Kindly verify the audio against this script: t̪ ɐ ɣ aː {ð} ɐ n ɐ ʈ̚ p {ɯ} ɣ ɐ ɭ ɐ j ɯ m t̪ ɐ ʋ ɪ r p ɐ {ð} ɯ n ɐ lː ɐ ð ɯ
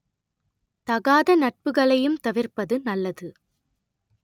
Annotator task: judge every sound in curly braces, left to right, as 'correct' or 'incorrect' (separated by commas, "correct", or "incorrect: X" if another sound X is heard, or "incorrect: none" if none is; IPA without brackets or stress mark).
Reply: correct, correct, correct